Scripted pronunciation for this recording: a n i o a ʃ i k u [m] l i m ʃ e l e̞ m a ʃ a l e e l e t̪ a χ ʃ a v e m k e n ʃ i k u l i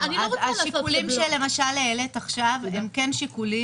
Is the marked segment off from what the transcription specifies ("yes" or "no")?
yes